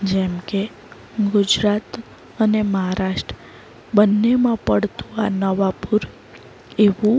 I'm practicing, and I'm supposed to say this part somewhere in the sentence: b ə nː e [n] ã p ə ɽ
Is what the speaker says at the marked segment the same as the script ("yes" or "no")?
no